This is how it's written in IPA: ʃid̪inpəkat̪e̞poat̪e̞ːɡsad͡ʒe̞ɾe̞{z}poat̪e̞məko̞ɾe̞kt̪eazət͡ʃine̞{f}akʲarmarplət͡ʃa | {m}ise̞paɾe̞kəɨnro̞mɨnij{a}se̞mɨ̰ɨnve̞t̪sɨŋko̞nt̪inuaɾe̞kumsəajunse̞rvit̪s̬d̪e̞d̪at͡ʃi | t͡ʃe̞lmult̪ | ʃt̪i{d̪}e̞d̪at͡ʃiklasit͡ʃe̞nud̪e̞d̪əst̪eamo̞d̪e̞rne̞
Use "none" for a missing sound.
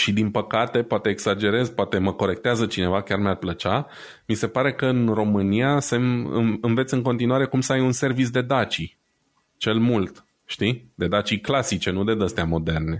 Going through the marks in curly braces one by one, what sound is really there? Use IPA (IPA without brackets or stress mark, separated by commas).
z, v, m, a, d̪